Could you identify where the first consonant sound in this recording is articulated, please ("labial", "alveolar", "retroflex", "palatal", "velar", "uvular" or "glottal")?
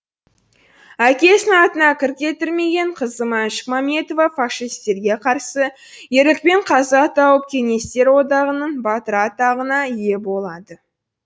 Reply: velar